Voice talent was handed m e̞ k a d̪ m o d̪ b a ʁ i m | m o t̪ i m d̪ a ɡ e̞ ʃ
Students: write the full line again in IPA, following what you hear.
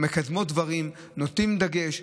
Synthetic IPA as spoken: m e̞ k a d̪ m o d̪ v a ʁ i m | n o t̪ i m d̪ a ɡ e̞ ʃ